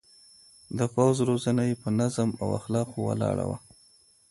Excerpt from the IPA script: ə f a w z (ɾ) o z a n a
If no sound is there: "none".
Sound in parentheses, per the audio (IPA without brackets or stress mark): ɾ